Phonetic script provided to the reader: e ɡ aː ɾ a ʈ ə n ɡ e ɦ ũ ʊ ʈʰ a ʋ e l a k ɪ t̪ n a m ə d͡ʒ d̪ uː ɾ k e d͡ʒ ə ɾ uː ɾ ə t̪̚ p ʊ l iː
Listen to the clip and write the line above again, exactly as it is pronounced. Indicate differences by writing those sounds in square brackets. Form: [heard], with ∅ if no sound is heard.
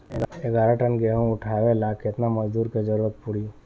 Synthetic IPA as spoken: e ɡ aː ɾ a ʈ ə n ɡ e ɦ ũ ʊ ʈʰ a ʋ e l a k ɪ t̪ n a m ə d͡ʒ d̪ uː ɾ k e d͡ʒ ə ɾ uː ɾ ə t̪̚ p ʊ [ɽ] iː